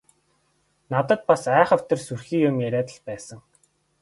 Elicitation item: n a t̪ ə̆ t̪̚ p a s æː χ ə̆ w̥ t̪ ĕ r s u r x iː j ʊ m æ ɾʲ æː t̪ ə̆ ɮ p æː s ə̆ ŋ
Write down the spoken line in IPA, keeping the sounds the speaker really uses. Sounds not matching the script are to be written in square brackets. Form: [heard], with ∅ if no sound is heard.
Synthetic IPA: n a t̪ ə̆ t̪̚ p a s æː χ ə̆ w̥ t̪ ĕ r s u r x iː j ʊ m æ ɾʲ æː t̪ ə̆ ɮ p æː s ə̆ ŋ